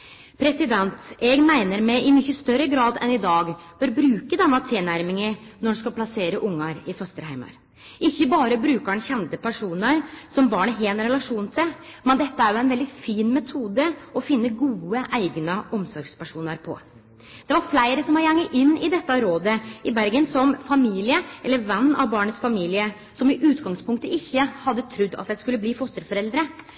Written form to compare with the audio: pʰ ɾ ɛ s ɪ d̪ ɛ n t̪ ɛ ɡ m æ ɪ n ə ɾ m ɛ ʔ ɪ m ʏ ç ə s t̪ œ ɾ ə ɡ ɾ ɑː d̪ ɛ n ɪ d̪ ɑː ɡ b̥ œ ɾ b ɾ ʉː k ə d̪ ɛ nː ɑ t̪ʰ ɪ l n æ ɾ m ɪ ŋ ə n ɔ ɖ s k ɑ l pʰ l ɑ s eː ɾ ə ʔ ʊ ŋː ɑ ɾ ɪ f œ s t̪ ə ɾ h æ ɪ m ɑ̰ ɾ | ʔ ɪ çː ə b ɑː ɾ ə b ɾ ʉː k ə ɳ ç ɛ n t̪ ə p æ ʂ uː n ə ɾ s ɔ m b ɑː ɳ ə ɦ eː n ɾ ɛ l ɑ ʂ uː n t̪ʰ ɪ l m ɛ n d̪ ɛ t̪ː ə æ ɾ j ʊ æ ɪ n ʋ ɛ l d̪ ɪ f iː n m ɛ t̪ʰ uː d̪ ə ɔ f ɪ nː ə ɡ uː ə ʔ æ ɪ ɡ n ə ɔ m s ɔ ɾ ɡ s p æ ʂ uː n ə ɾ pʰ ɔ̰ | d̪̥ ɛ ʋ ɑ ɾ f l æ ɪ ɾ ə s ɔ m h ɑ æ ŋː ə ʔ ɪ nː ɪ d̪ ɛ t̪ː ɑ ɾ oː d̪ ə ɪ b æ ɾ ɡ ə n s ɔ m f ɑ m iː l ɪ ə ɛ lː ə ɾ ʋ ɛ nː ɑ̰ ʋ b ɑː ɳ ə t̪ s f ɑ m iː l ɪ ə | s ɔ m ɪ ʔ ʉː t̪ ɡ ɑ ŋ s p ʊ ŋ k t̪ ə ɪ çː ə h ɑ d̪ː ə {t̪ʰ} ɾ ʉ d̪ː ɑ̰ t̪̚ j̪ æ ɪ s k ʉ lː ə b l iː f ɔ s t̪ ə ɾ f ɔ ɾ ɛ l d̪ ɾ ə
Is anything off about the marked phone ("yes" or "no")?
no